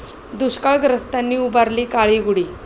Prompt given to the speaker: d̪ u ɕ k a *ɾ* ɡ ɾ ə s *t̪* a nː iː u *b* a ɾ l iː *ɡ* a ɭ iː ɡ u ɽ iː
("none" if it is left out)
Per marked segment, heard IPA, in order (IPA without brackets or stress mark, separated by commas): ɭ, t̪, b, k